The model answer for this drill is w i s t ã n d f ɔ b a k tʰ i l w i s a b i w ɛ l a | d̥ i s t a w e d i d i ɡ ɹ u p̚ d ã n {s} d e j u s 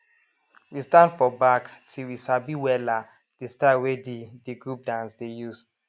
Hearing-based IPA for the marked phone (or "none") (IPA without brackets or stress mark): s